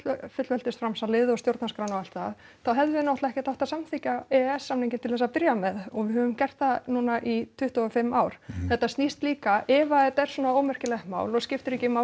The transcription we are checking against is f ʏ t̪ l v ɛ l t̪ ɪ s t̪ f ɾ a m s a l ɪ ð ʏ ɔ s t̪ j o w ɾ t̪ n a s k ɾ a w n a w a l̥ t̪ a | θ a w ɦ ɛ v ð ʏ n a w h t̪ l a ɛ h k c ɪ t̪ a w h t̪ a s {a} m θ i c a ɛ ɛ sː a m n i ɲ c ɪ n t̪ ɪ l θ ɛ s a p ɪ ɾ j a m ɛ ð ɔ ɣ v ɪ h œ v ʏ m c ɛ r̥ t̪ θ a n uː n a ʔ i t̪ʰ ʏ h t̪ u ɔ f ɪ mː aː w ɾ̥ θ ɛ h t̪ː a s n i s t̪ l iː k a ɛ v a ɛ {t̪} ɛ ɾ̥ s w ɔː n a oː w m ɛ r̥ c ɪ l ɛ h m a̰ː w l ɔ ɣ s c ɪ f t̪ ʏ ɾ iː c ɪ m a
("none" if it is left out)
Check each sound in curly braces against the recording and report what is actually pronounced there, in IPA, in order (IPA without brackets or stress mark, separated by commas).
a, t̪